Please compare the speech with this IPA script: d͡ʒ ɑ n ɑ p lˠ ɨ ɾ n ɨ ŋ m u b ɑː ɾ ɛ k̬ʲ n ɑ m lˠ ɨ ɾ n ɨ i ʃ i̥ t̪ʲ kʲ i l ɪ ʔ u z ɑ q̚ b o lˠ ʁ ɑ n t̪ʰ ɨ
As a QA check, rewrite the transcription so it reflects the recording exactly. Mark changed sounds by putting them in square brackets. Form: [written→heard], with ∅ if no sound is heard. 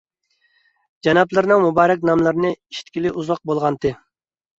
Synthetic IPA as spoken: d͡ʒ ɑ n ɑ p lˠ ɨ ɾ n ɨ ŋ m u b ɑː ɾ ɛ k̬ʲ n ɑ m lˠ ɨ ɾ n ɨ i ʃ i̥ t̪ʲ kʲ i l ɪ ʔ u z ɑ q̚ b o lˠ ʁ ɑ n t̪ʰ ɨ